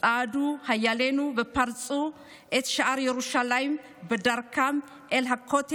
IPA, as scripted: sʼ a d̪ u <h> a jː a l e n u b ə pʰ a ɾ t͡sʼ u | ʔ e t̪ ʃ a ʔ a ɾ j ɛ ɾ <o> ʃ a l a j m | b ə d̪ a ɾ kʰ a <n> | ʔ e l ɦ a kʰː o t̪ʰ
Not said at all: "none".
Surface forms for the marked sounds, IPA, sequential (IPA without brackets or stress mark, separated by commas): h, u, m